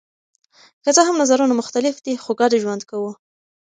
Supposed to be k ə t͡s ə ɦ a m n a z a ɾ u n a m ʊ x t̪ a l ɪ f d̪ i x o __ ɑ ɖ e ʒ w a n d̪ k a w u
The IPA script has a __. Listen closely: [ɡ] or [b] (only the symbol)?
ɡ